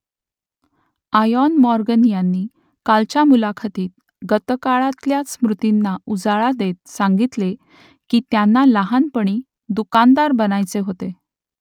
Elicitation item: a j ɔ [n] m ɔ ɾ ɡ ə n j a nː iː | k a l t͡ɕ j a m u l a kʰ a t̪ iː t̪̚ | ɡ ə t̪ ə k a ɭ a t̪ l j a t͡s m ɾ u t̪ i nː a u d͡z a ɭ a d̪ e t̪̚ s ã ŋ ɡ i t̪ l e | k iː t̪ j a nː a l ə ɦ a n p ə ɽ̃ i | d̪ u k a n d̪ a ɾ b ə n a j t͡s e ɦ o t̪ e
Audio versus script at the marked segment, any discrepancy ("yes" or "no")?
no